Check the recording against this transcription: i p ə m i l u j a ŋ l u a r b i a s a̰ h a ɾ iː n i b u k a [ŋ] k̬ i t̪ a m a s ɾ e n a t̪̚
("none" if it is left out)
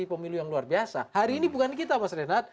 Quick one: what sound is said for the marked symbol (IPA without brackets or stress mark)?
n